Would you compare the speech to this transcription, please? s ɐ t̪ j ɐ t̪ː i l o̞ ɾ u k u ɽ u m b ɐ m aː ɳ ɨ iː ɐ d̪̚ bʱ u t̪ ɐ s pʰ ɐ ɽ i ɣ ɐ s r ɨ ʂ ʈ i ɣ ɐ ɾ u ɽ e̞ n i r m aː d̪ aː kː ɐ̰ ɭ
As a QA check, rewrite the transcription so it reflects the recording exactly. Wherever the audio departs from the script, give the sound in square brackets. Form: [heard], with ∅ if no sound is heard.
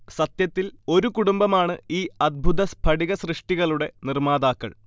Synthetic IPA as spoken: s ɐ t̪ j ɐ t̪ː i l o̞ ɾ u k u ɽ u m b ɐ m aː ɳ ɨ iː ɐ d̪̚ bʱ u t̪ ɐ s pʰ ɐ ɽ i ɣ ɐ s r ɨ ʂ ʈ i ɣ ɐ [ɭ] u ɽ e̞ n i r m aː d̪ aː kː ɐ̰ ɭ